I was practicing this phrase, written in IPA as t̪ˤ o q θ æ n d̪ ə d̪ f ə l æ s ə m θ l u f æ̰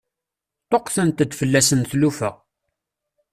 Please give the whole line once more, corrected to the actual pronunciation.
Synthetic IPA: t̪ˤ o q θ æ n t̪ ə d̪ f ə lː æ s ə n θ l u f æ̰